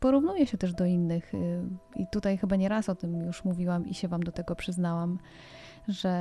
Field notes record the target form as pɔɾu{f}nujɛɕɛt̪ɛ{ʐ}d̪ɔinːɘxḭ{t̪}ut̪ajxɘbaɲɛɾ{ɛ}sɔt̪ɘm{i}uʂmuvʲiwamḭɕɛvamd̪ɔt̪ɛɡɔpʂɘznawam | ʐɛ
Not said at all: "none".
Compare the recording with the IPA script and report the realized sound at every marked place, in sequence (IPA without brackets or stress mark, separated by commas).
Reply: v, ʐ, t̪, a, j